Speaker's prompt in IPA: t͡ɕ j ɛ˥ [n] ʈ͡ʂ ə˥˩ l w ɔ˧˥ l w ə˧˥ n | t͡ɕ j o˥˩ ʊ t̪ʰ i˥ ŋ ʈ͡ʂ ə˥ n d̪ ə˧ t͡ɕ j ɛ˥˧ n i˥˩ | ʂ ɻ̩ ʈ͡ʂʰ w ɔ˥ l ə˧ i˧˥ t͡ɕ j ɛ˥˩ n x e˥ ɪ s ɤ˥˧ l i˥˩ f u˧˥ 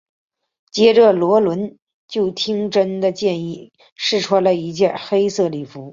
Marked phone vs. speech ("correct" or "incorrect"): incorrect